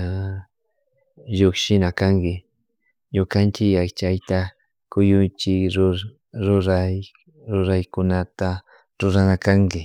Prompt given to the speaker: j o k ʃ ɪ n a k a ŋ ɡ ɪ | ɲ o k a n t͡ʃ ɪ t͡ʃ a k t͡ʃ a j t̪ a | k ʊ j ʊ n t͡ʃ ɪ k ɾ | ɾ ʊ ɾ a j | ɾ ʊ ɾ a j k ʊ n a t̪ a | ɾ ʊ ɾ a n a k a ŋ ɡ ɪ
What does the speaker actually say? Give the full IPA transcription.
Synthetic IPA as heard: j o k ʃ ɪ n a k a ŋ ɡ ɪ | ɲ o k a n t͡ʃ ɪ a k t͡ʃ a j t̪ a | k ʊ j ʊ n t͡ʃ ɪ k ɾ | ɾ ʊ ɾ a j | ɾ ʊ ɾ a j k ʊ n a t̪ a | ɾ ʊ ɾ a n a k a ŋ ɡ ɪ